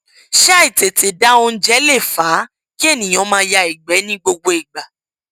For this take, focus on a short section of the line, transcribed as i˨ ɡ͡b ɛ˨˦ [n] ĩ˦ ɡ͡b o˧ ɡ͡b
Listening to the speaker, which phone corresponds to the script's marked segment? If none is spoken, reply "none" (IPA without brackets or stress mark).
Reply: n